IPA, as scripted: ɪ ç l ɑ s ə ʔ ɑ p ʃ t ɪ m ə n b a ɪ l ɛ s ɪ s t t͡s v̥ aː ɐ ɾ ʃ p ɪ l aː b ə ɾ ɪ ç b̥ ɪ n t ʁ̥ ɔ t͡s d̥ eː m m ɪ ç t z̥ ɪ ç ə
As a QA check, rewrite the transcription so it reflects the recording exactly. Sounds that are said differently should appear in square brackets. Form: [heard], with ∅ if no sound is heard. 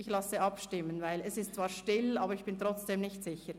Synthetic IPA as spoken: ɪ ç l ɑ s ə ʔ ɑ p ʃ t ɪ m ə n [v] a ɪ l ɛ s ɪ s t t͡s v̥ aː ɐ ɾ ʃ [t] ɪ l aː b ə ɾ ɪ ç b̥ ɪ n t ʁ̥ ɔ t͡s d̥ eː m [n] ɪ ç t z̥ ɪ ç ə